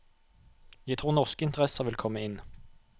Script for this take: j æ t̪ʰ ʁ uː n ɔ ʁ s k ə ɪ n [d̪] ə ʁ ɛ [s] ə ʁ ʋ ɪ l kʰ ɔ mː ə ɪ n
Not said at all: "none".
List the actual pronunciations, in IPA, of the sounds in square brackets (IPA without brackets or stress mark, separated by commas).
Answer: t̪, s